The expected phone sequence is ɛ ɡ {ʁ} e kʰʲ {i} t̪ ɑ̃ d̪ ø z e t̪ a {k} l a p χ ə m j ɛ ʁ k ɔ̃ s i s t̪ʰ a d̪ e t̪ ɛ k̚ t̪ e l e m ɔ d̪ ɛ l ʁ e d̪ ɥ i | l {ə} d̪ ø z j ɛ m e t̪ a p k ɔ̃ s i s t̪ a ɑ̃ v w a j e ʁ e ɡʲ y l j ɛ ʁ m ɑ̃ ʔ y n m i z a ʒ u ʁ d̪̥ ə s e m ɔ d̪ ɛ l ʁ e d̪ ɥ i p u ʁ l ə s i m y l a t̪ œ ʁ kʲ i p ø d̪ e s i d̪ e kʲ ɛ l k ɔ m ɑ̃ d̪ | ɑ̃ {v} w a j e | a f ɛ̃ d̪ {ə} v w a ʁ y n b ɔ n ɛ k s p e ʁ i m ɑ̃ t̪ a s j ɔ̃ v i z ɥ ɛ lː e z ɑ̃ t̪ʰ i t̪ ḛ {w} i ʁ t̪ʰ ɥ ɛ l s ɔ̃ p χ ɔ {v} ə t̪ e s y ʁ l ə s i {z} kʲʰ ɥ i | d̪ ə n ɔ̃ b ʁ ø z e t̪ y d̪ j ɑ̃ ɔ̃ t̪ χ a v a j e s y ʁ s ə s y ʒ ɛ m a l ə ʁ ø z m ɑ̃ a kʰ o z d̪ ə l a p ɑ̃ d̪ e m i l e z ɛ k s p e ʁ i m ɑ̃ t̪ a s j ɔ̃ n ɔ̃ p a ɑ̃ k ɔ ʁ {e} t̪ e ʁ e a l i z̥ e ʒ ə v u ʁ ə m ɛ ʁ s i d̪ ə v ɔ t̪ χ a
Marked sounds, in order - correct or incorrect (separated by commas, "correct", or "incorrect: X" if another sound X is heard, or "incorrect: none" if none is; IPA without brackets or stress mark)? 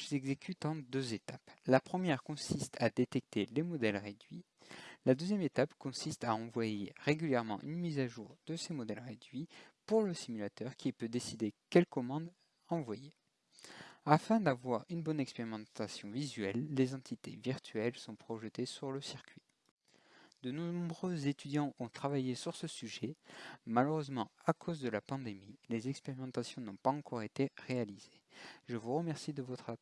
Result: incorrect: z, incorrect: y, incorrect: p, incorrect: a, correct, incorrect: a, incorrect: v, incorrect: ʒ, incorrect: ʁ, correct